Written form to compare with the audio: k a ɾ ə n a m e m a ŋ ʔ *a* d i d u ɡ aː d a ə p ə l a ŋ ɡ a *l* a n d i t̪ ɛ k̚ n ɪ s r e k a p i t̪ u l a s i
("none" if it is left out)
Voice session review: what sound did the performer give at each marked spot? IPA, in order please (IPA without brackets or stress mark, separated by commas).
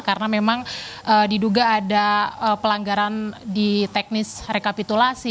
ə, ɾ